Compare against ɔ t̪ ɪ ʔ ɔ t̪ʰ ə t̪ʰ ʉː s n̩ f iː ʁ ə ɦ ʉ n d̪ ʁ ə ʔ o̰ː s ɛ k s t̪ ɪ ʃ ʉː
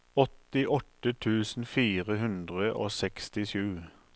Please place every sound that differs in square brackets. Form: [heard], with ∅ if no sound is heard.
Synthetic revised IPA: ɔ t̪ ɪ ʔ ɔ [t̪] ə t̪ʰ ʉː s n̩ f iː ʁ ə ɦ ʉ n d̪ ʁ ə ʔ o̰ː s ɛ k s t̪ ɪ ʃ ʉː

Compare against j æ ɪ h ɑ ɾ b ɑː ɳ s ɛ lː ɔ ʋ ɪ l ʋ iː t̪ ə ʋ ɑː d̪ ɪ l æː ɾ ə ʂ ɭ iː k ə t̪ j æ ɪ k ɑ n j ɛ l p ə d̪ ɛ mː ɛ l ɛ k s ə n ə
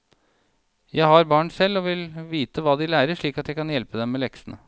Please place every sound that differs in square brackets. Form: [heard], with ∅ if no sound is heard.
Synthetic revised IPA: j æ ɪ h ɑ ɾ b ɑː ɳ s ɛ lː ɔ ʋ ɪ l ʋ iː t̪ ə ʋ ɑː d̪ ɪ l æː ɾ ə ʂ ɭ iː k [ɑ] t̪ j æ ɪ k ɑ n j ɛ l p ə d̪ ɛ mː ɛ l ɛ k s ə n ə

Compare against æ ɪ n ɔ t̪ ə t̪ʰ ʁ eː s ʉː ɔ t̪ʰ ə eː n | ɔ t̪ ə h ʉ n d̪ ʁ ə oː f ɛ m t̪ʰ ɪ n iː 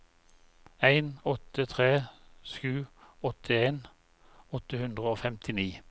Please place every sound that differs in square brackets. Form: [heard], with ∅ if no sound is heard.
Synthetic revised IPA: æ ɪ n ɔ t̪ ə t̪ʰ ʁ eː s ʉː ɔ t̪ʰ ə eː n | ɔ t̪ ə h ʉ n d̪ ʁ ə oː f ɛ m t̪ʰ ɪ n iː

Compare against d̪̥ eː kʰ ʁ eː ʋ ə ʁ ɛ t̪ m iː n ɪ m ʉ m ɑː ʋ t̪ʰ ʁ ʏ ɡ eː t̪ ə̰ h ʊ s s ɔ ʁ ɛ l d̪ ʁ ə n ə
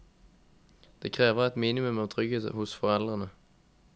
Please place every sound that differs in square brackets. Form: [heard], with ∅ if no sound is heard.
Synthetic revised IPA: d̪̥ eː kʰ ʁ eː ʋ ə ʁ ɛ t̪ m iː n ɪ m ʉ m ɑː ʋ t̪ʰ ʁ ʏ ɡ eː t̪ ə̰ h ʊ s [f] ɔ ʁ ɛ l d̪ ʁ ə n ə

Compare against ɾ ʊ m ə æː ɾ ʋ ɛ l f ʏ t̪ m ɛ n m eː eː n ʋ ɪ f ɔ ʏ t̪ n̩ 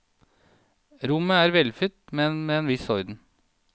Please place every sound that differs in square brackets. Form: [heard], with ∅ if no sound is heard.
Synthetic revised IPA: ɾ ʊ m ə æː ɾ ʋ ɛ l f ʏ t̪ m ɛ n m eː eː n ʋ ɪ [s] ɔ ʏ [d̪] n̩

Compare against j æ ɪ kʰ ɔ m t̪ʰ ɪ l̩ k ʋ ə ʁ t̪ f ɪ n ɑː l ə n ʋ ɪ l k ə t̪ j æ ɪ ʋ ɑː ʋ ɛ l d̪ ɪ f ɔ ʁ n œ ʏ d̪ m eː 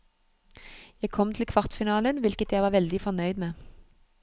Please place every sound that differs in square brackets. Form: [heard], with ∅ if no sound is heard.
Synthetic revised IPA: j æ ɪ kʰ ɔ m t̪ʰ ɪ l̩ [kʰ] ʋ [ɑ] ʁ t̪ f ɪ n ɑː l ə n ʋ ɪ l k ə t̪ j æ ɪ ʋ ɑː ʋ ɛ l d̪ ɪ f ɔ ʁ n œ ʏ d̪ m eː

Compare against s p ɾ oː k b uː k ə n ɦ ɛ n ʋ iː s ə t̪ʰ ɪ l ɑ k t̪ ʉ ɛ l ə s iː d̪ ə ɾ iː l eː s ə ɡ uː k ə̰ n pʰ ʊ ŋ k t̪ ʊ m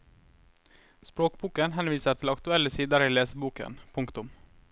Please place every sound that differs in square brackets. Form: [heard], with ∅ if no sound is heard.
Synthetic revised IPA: s p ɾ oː k b uː k ə n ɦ ɛ n ʋ iː s ə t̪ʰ ɪ l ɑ k t̪ ʉ ɛ l ə s iː d̪ ə ɾ iː l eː s ə [b] uː k ə̰ n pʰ ʊ ŋ k t̪ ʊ m

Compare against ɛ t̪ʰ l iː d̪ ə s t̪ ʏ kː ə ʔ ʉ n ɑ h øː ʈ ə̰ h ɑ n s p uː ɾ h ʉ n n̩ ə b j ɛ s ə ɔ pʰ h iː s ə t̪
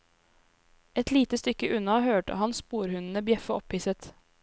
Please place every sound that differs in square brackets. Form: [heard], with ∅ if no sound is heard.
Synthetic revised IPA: ɛ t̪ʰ l iː [t̪] ə s t̪ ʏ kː ə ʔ ʉ n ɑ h øː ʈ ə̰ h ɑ n s p uː ɾ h ʉ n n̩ ə b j ɛ [f] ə ɔ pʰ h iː s ə t̪

